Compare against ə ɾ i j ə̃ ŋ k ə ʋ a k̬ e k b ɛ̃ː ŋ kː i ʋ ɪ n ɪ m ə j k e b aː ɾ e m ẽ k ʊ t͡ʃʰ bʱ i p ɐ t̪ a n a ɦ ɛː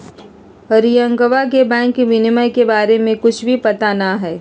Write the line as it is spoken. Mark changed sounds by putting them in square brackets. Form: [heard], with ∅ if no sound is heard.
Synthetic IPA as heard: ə ɾ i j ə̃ ŋ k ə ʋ a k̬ e [∅] b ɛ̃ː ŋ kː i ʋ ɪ n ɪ m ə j k e b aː ɾ e m ẽ k ʊ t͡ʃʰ bʱ i p ɐ t̪ a n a ɦ ɛː